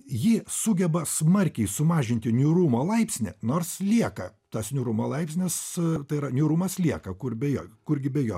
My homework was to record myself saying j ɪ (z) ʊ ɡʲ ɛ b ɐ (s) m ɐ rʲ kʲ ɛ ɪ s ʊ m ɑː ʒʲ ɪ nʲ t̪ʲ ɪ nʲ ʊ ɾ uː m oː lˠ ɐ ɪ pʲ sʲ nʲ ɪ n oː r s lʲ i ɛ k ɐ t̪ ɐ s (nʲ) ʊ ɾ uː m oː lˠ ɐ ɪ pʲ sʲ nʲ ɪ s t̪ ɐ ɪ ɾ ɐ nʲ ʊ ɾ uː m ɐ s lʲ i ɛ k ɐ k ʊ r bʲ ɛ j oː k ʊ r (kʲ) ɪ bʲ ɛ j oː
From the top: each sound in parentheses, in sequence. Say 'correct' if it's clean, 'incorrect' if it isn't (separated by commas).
incorrect, correct, correct, incorrect